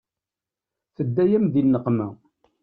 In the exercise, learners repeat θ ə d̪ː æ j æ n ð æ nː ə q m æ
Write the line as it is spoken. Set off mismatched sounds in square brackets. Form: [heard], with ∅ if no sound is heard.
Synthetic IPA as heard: θ ə d̪ː æ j æ [m] ð [i] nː ə q m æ